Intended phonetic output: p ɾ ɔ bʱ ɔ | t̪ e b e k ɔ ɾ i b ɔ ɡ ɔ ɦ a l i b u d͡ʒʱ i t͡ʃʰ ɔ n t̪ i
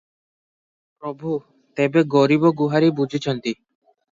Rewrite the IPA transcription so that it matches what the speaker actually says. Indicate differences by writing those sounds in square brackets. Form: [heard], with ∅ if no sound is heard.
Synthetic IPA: p ɾ ɔ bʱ [u] | t̪ e b e [ɡ] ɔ ɾ i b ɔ ɡ [u] ɦ a [ɾ] i b u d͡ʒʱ i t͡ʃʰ ɔ n t̪ i